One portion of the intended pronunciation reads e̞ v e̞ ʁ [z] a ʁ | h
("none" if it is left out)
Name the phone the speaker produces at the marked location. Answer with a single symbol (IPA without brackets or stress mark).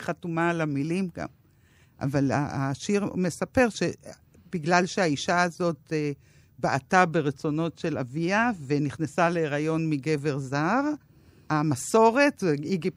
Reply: z